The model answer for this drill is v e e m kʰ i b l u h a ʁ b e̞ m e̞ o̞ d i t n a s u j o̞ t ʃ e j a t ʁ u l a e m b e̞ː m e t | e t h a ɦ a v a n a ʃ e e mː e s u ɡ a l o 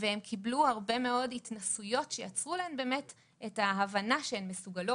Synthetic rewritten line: v e e m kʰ i b l u h a ʁ b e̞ m e̞ o̞ d i t n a s u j o̞ t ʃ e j a t͡s ʁ u l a e m b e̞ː m e t | e t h a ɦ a v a n a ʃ e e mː e s u ɡ a l o